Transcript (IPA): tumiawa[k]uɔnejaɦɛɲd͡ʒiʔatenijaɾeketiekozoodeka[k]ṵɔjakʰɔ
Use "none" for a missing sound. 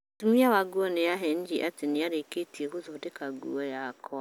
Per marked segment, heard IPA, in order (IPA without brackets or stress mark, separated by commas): ɡ, ɡ